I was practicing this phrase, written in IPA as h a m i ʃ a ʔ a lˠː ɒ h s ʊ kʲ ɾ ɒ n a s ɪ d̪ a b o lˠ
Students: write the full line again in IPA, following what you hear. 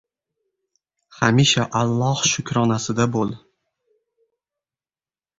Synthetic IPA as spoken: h a m i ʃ a ʔ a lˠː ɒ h ʃ ʊ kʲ ɾ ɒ n a s ɪ d̪ a b o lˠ